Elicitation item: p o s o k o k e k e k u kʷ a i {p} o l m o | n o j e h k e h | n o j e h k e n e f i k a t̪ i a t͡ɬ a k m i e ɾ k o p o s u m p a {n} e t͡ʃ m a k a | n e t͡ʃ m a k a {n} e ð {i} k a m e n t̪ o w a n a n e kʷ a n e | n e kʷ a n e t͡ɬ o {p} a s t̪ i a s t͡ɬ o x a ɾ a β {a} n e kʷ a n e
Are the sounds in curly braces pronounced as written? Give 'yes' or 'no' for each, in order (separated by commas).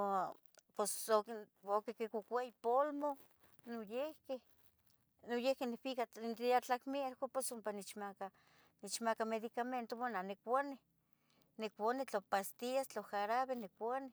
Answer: yes, yes, no, yes, yes, no